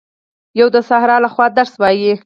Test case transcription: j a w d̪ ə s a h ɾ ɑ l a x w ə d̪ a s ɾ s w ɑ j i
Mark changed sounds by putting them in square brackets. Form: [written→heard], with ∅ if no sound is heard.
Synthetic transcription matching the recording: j a w d̪ ə s a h ɾ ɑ l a x w [ə→ɑ] d̪ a [s→∅] ɾ s w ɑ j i